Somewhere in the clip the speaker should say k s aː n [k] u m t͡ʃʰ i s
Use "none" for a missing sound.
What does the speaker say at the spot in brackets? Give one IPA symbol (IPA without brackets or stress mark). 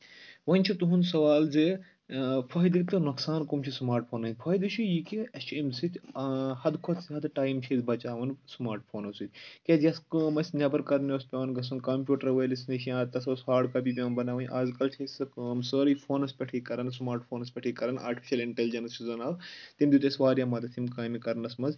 k